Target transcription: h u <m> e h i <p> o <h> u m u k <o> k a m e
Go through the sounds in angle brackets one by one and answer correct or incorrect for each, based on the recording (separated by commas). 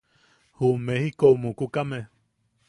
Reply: correct, incorrect, incorrect, incorrect